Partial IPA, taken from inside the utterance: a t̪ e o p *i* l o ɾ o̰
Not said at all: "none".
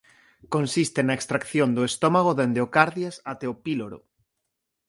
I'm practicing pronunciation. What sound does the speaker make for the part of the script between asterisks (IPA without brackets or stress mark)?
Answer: i